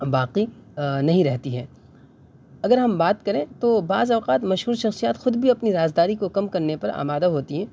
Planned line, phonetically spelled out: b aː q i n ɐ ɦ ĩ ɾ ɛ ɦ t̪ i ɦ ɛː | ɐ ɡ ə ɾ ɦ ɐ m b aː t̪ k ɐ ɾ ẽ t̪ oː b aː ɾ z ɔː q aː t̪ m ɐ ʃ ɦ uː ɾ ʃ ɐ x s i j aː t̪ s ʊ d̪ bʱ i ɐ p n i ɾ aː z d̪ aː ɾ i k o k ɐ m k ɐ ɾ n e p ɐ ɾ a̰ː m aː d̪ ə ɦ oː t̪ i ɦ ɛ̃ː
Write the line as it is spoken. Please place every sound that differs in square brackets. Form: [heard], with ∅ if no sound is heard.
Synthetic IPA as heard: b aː q i n ɐ ɦ ĩ ɾ ɛ ɦ t̪ i ɦ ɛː | ɐ ɡ ə ɾ ɦ ɐ m b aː t̪ k ɐ ɾ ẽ t̪ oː b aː [∅] z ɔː q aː t̪ m ɐ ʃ ɦ uː ɾ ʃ ɐ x s i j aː t̪ [x] ʊ d̪ bʱ i ɐ p n i ɾ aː z d̪ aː ɾ i k o k ɐ m k ɐ ɾ n e p ɐ ɾ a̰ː m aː d̪ [a] ɦ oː t̪ i ɦ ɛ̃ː